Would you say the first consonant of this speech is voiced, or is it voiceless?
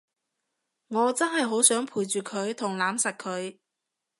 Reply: voiced